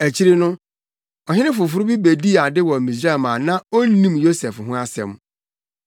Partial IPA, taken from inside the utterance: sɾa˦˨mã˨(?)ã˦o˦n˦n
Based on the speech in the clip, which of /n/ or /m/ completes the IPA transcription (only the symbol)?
n